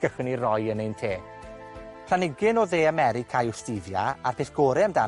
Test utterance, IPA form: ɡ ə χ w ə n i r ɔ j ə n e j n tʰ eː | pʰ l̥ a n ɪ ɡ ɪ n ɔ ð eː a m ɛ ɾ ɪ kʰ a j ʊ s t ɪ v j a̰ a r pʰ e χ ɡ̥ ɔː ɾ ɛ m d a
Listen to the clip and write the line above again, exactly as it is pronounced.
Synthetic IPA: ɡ ə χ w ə n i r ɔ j ə n e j n tʰ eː | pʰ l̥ a n ɪ ɡ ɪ n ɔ ð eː a m ɛ ɾ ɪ kʰ a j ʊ s t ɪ v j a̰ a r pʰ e θ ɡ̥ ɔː ɾ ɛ m d a